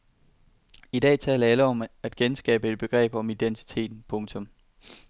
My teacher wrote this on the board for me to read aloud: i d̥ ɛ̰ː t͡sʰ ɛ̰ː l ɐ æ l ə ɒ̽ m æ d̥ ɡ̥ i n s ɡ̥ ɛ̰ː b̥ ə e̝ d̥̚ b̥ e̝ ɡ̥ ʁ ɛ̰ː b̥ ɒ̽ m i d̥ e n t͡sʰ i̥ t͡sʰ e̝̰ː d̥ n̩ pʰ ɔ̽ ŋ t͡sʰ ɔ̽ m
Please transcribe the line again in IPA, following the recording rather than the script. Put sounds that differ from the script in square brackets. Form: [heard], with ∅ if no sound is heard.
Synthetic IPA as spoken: i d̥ ɛ̰ː t͡sʰ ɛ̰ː l ɐ æ l ə ɒ̽ m æ d̥ ɡ̥ [e] n s ɡ̥ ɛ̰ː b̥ ə e̝ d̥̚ b̥ e̝ ɡ̥ ʁ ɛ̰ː b̥ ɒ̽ m i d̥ e n t͡sʰ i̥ t͡sʰ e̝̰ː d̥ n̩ pʰ ɔ̽ ŋ t͡sʰ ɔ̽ m